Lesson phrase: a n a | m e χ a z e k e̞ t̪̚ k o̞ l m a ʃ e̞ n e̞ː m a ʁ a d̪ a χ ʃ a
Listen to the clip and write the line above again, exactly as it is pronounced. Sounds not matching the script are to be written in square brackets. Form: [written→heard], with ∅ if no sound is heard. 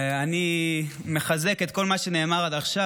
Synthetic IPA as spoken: a n [a→i] | m e χ a z e k e̞ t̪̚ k o̞ l m a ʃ e̞ n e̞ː m a ʁ a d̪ a χ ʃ a